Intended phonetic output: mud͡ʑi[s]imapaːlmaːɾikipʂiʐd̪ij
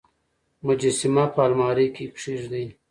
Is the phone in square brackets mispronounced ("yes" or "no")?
no